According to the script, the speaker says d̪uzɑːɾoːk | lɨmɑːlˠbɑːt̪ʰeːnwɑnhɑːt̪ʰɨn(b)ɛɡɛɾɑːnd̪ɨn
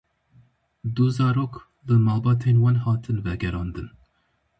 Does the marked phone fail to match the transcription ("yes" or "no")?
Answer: yes